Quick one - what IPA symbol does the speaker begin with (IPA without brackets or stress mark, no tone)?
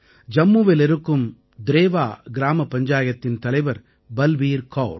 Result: d͡ʒ